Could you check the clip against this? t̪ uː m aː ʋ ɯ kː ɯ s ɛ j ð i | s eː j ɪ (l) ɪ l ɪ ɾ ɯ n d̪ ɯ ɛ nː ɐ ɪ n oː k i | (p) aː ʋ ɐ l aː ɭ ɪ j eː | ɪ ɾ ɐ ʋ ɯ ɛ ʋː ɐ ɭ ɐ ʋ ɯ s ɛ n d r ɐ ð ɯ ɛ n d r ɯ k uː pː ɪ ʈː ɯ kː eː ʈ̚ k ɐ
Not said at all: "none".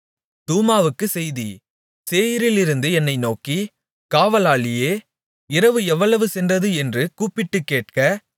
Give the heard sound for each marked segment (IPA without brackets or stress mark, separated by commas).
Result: ɾ, k